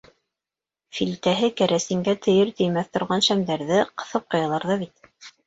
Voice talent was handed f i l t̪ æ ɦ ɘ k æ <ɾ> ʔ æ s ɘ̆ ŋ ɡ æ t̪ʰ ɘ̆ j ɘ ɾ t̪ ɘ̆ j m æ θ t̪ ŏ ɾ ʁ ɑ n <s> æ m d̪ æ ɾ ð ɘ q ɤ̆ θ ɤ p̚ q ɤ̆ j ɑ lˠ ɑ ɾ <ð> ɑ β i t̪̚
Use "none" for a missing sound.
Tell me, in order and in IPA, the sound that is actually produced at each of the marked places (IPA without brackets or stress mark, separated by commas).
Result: ɾ, ʃ, ð